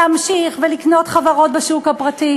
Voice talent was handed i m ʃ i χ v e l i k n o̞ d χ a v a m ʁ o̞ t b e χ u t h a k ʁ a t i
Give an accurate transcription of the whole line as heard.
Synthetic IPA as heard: a m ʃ i χ v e l i k n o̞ t χ a v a ʁ o̞ t b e ʃ u k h a p ʁ a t i